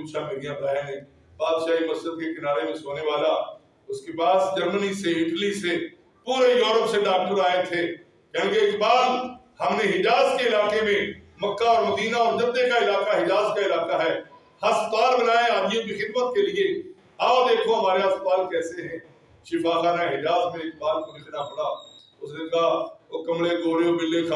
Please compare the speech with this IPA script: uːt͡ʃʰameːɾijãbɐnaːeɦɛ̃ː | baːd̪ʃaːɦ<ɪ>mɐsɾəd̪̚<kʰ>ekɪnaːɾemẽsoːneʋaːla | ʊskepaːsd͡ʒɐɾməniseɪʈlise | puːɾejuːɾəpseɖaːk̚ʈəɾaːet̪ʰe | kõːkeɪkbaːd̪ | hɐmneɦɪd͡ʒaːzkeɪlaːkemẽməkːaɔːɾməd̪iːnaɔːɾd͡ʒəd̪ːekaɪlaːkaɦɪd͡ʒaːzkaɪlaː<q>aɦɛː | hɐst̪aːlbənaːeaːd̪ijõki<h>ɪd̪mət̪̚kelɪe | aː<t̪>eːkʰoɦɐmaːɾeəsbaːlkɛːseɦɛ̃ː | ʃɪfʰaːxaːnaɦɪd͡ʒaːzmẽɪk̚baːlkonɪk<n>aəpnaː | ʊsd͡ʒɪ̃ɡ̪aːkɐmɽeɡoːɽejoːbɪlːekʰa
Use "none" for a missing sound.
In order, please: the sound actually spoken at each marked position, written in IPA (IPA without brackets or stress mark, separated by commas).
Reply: i, k, k, x, d̪, n